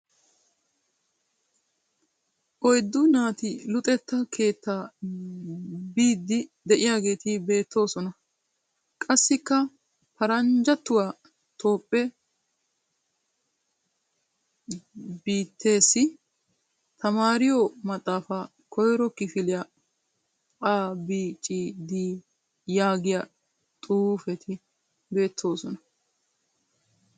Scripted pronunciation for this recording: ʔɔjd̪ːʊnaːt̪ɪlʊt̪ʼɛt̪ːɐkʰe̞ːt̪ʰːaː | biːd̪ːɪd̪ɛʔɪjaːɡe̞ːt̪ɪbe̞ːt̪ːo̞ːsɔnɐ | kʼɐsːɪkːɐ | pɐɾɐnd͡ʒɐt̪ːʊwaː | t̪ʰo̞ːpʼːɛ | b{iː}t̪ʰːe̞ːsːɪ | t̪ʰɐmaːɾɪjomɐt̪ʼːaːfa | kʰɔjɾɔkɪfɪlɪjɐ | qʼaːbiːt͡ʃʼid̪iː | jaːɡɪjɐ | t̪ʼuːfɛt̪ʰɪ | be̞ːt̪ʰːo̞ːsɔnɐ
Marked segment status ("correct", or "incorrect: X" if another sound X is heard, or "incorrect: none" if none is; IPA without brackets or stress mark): correct